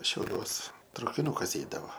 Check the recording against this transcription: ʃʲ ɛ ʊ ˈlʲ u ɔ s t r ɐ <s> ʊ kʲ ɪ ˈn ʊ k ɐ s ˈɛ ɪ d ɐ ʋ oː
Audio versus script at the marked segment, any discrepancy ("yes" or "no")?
yes